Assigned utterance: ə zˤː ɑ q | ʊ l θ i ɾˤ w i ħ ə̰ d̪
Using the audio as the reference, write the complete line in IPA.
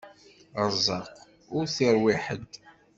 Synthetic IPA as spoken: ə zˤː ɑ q | ʊ ɾ θ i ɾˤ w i ħ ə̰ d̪